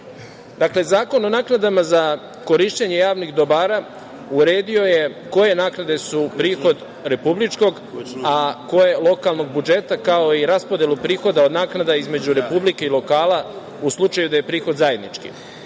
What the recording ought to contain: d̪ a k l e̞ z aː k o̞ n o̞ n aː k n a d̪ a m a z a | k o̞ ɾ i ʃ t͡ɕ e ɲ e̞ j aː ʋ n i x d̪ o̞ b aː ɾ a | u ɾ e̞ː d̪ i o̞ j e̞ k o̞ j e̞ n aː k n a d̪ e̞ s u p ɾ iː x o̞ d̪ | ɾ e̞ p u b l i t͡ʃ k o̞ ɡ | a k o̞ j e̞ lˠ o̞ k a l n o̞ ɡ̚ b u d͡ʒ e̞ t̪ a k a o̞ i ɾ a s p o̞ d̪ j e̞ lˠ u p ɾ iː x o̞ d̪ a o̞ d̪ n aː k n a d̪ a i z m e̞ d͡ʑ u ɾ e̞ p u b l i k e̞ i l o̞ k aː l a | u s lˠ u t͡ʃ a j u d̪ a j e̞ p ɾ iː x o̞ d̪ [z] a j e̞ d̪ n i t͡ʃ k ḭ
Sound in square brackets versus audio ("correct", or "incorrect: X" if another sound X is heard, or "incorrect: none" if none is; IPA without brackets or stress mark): correct